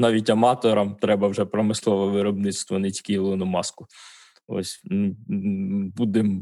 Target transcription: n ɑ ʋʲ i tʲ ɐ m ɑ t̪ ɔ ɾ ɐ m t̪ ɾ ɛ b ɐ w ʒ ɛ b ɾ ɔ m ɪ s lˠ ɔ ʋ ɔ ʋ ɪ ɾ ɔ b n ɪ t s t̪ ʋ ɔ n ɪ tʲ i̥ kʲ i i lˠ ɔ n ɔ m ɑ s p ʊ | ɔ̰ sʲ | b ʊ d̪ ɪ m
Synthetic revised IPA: n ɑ ʋʲ i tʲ ɐ m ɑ t̪ ɔ ɾ ɐ m t̪ ɾ ɛ b ɐ w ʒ ɛ p ɾ ɔ m ɪ s lˠ ɔ ʋ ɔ ʋ ɪ ɾ ɔ b n ɪ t s t̪ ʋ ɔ n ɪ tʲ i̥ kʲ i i lˠ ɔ n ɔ m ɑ s k ʊ | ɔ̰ sʲ | b u d̪ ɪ m